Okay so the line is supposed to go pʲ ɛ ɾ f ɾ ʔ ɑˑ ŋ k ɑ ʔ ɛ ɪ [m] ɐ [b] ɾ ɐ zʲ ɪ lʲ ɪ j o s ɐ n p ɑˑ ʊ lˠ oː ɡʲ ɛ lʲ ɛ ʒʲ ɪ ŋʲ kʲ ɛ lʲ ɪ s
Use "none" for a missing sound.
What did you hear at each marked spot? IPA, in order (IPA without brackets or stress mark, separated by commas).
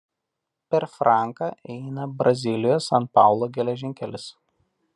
n, b